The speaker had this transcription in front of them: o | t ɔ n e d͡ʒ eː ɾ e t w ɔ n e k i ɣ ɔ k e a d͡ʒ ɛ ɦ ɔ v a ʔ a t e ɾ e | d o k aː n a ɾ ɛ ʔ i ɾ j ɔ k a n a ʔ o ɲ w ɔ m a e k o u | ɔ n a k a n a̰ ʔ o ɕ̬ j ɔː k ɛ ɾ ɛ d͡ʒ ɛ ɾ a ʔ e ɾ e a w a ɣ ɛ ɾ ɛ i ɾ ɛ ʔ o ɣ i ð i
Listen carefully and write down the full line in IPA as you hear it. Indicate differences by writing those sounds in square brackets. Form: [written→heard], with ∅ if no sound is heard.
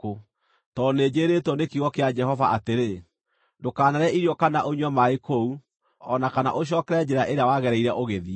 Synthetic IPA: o | t ɔ n e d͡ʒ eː ɾ e t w ɔ n e k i ɣ ɔ k e a d͡ʒ ɛ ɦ ɔ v a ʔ a t e ɾ e | d o k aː n a ɾ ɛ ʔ i ɾ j ɔ k a n a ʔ o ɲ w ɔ m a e k o u | ɔ n a k a n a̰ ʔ o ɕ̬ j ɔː k ɛ ɾ ɛ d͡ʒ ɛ ɾ a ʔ e ɾ e a w a ɣ ɛ ɾ ɛ i ɾ ɛ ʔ o ɣ [i→e] ð i